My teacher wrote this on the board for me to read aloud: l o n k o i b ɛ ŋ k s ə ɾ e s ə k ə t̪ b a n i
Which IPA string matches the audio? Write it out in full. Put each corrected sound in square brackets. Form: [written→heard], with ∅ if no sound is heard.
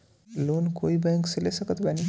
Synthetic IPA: l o n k o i b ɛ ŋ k s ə [ɾ→l] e s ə k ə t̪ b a n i